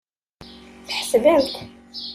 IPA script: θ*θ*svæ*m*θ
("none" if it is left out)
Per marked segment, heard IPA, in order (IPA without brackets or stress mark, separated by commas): ħ, m